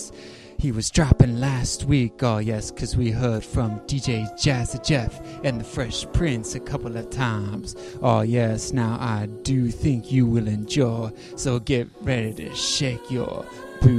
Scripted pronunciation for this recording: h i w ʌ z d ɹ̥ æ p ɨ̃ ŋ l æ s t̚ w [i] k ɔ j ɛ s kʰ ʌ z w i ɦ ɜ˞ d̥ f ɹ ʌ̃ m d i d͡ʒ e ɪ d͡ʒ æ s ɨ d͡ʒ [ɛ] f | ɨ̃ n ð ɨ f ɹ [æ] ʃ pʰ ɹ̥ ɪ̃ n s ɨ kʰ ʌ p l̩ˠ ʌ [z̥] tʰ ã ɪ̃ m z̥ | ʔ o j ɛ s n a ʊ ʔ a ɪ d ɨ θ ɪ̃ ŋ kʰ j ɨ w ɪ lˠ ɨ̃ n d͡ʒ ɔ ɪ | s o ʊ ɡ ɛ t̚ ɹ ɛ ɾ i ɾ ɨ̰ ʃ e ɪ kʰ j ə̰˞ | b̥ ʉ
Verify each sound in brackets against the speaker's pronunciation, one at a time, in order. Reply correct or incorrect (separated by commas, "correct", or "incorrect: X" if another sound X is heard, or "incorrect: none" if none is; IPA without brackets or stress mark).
correct, correct, incorrect: ɛ, incorrect: v̥